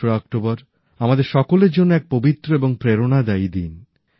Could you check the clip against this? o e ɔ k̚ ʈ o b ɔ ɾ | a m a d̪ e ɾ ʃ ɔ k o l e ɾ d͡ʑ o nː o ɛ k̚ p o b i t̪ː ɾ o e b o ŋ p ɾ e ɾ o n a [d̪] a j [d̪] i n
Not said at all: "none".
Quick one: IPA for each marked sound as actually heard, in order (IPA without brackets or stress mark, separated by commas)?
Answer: d̪, d̪